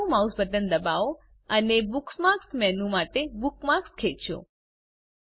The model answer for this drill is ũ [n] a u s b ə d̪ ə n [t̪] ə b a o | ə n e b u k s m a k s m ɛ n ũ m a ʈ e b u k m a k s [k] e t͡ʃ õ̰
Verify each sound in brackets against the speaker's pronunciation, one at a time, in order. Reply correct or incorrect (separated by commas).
incorrect, incorrect, incorrect